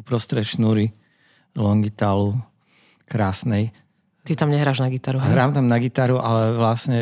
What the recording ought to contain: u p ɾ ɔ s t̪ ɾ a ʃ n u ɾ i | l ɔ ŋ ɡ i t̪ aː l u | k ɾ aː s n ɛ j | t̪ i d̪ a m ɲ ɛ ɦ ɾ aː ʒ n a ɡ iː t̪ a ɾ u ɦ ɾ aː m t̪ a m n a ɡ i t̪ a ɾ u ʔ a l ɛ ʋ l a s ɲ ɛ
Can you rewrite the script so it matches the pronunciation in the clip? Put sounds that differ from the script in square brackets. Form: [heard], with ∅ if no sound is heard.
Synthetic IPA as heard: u p ɾ ɔ s t̪ ɾ [ɛ] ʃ n u ɾ i | l ɔ ŋ ɡ i t̪ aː l u | k ɾ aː s n ɛ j | t̪ i [t̪] a m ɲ ɛ ɦ ɾ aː ʒ n a ɡ [i] t̪ a ɾ u ɦ ɾ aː m t̪ a m n a ɡ i t̪ a ɾ u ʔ a l ɛ ʋ l a s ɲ ɛ